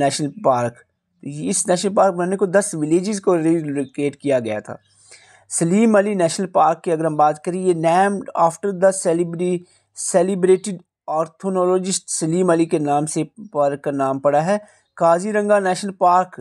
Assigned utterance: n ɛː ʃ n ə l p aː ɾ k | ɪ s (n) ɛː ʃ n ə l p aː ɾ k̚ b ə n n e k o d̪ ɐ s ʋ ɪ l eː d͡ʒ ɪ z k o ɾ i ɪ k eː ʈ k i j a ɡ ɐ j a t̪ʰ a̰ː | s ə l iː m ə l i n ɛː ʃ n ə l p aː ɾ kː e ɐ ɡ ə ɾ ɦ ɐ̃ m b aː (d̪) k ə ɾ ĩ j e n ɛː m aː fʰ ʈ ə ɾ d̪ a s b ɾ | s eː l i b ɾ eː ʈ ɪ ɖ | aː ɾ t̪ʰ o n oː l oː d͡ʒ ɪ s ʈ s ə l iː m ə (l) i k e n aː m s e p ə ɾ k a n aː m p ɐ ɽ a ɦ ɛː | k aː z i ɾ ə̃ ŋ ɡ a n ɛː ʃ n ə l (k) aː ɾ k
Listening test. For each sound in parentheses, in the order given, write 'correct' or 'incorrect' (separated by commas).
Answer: correct, incorrect, correct, incorrect